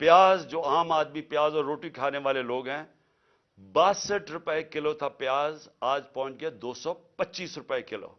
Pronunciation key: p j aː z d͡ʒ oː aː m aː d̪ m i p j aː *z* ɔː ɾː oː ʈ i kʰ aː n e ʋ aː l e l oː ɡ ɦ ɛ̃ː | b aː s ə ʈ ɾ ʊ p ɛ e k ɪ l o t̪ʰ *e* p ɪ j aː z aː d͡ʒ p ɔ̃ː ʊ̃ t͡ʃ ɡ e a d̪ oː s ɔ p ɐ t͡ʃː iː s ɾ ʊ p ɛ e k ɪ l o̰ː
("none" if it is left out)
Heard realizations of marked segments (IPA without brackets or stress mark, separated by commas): z, a